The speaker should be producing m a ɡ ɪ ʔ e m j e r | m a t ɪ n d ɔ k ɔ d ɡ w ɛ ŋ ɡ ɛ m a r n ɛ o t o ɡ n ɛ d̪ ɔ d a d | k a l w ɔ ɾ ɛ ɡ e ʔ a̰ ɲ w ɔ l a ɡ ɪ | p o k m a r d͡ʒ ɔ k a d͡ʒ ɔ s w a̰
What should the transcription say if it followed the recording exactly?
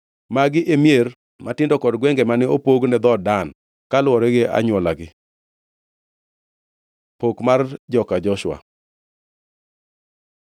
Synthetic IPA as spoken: m a ɡ ɪ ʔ e m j e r | m a t ɪ n d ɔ k ɔ d ɡ w ɛ ŋ ɡ ɛ m a n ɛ o p o ɡ n ɛ d̪ ɔ d a n | k a l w ɔ ɾ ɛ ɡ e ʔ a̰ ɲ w ɔ l a ɡ ɪ | p o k m a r d͡ʒ ɔ k a d͡ʒ ɔ ʃ w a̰